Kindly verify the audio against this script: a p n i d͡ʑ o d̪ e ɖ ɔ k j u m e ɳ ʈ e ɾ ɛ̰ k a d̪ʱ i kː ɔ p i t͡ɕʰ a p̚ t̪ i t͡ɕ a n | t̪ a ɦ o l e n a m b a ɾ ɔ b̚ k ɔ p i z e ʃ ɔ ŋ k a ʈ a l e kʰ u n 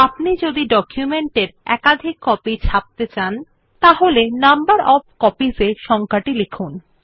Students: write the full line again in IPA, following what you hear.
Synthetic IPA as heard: a p n i d͡ʑ o d̪ i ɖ ɔ k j u m e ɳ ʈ e ɾ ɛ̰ k a d̪ʱ i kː ɔ p i t͡ɕʰ a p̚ t̪ e t͡ɕ a n | t̪ a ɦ o l e n a m b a ɾ ɔ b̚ k ɔ p i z e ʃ ɔ ŋ k a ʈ i l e kʰ u n

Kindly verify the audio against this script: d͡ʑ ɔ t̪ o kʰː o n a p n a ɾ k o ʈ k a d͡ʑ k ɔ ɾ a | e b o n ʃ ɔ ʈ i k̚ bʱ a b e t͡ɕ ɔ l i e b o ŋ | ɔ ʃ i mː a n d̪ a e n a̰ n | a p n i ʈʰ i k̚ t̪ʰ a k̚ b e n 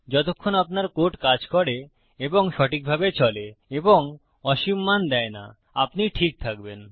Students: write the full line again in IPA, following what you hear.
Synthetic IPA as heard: d͡ʑ ɔ t̪ o kʰː o n a p n a ɾ k o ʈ k a d͡ʑ k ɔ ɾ e | e b o ŋ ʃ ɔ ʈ i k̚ bʱ a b e t͡ɕ ɔ l e e b o ŋ | ɔ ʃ i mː a n d̪ ɛ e n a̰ | a p n i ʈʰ i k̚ t̪ʰ a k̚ b e n

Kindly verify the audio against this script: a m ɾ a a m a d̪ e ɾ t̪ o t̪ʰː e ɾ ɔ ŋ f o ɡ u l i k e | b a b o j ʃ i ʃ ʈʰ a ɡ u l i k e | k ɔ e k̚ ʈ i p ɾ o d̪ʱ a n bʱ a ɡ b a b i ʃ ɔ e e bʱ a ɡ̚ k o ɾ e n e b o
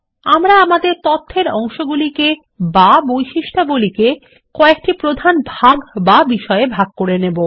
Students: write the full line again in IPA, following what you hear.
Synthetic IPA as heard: a m ɾ a a m a d̪ e ɾ t̪ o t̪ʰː e ɾ ɔ ŋ ʃ o ɡ u l i k e | b a b o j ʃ i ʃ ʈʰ a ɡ u l i k e | k ɔ e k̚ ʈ i p ɾ o d̪ʱ a n bʱ a ɡ b a b i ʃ ɔ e e bʱ a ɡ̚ k o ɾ e n e b o

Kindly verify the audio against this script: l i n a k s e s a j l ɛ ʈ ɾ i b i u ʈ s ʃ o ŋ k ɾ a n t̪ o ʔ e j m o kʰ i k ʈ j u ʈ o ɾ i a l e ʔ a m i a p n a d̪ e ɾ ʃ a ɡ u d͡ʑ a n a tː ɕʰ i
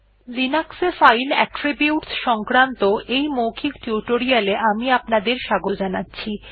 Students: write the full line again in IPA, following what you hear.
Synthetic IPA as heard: l i n a k s e f a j l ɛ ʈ ɾ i b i u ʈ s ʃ ɔ ŋ k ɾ a n t̪ o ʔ e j m o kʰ i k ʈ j u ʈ o ɾ i a l e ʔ a m i a p n a d̪ e ɾ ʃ a ɡ o d͡ʑ a n a tː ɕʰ i

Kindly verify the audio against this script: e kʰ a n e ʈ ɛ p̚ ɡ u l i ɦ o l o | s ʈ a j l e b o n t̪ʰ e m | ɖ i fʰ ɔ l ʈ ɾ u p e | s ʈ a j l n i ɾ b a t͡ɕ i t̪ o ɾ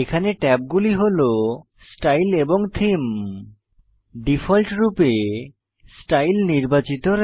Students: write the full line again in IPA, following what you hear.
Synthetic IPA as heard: e kʰ a n e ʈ ɛ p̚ ɡ u l i ɦ o l o | s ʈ a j l e b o ŋ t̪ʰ i m | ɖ i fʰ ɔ l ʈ ɾ u p e | s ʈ a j l n i ɾ b a t͡ɕ i t̪ o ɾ

